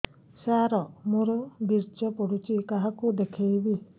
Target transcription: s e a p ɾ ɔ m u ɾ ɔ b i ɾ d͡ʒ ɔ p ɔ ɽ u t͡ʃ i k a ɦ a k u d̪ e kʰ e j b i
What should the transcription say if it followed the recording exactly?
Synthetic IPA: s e a ɾ ɔ m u ɾ ɔ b i ɾ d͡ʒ ɔ p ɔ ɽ u t͡ʃ i k a ɦ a k u d̪ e kʰ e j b i